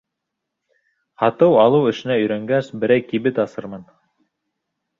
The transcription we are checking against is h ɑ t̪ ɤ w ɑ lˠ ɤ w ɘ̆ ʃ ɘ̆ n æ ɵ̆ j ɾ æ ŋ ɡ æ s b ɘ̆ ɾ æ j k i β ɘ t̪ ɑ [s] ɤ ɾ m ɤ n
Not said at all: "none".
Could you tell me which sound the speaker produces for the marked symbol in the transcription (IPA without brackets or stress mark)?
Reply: s